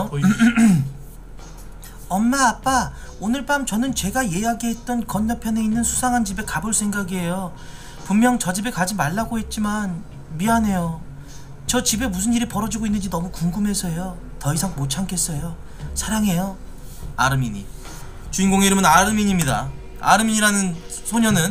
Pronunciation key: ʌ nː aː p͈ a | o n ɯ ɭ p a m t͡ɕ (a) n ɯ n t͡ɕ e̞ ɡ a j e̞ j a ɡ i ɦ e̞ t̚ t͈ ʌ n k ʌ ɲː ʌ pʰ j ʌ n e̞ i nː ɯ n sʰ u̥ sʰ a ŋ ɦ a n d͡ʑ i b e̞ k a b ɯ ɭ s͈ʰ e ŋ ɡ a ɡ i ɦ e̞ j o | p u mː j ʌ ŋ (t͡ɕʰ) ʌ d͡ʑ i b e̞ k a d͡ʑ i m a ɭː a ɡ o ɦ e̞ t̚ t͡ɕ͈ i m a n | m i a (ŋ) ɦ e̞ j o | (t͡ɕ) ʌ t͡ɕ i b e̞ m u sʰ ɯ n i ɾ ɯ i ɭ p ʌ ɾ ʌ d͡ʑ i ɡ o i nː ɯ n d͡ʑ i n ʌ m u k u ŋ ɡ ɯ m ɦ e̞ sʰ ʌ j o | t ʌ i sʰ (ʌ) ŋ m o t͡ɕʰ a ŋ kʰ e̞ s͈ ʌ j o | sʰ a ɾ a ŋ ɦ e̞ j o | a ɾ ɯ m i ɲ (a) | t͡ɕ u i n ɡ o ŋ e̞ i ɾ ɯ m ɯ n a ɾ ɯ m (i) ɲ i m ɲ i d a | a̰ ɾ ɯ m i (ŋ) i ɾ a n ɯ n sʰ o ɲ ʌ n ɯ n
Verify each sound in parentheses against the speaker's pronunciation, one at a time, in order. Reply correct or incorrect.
incorrect, incorrect, incorrect, correct, incorrect, incorrect, correct, incorrect

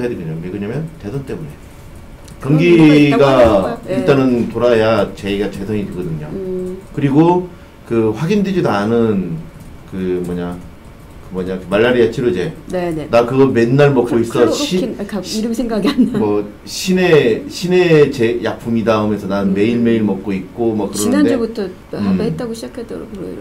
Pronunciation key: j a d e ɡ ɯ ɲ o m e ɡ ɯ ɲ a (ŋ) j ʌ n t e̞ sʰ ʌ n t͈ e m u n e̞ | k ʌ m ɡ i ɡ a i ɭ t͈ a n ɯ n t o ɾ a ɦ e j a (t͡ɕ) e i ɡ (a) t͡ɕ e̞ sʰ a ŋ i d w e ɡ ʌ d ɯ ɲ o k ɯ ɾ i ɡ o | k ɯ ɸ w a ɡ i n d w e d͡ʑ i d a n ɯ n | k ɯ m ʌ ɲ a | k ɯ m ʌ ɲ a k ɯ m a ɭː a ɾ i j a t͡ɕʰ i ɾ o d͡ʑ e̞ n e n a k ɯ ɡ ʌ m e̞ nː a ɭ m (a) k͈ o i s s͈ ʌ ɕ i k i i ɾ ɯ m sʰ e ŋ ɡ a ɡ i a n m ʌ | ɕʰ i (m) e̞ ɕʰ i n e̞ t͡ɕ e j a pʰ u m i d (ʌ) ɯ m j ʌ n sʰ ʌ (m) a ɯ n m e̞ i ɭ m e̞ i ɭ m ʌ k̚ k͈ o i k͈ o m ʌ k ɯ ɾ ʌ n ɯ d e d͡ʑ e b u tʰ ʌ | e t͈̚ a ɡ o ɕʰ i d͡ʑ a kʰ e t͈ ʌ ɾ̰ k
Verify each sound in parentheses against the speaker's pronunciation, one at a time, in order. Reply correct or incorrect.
incorrect, correct, correct, incorrect, incorrect, incorrect, incorrect

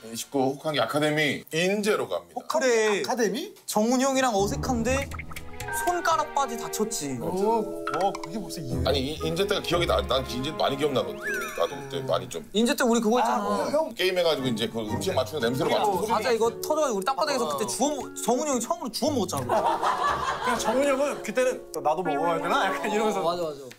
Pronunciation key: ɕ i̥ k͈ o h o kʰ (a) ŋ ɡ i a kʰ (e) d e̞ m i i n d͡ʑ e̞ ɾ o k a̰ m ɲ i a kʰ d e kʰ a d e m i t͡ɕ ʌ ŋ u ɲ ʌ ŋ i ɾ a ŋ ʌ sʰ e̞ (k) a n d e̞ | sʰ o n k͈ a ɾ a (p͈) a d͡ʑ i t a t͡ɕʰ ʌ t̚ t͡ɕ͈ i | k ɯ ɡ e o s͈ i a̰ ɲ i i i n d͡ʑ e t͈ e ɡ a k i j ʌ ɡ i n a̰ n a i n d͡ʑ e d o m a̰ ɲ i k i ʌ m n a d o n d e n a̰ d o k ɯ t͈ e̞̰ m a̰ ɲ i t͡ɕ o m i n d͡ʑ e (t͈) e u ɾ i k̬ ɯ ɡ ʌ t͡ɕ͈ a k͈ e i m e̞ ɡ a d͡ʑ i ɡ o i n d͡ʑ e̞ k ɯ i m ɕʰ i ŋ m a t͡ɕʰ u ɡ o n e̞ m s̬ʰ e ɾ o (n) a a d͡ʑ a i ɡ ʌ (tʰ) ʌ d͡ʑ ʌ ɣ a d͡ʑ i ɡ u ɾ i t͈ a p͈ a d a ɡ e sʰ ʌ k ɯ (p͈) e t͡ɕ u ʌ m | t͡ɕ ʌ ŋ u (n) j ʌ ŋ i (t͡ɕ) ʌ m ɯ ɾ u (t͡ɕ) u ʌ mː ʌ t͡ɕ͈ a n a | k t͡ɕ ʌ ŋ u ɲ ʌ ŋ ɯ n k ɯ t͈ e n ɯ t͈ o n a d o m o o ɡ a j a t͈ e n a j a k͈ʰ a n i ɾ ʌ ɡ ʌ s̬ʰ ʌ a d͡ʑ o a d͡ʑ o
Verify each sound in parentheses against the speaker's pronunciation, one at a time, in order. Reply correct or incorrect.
correct, incorrect, incorrect, correct, correct, incorrect, correct, incorrect, incorrect, incorrect, correct

